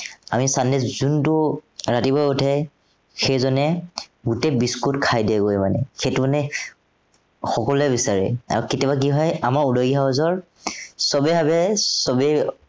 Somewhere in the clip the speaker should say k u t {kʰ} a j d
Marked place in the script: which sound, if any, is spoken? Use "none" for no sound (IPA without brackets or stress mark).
kʰ